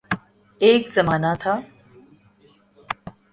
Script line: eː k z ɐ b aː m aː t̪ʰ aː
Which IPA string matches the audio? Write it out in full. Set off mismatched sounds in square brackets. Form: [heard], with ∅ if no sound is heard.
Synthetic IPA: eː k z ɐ [m] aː [n] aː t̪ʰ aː